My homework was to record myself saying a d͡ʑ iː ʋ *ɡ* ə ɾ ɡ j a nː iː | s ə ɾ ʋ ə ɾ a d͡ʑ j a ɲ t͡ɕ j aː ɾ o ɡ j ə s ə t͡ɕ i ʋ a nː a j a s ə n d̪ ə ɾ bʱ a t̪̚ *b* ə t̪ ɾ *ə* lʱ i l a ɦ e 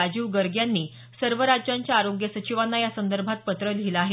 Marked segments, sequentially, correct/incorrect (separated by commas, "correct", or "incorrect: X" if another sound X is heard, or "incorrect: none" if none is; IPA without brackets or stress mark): correct, incorrect: p, correct